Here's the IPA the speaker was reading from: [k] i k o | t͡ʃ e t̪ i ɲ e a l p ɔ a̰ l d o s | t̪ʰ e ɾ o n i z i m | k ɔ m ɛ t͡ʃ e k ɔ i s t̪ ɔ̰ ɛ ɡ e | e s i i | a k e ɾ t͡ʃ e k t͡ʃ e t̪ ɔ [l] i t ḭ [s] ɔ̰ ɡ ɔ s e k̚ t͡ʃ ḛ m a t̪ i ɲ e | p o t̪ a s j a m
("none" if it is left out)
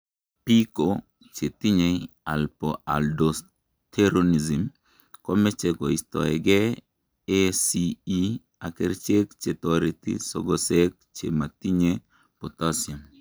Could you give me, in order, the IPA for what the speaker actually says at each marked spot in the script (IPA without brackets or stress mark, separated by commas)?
p, ɾ, s